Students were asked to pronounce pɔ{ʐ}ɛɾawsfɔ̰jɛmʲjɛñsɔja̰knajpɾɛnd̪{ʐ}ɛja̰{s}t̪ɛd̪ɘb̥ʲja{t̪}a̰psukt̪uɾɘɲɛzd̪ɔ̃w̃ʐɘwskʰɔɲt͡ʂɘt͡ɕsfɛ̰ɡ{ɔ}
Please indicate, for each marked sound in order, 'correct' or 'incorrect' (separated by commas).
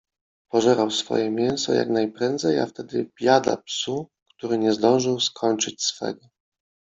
correct, incorrect, incorrect, incorrect, correct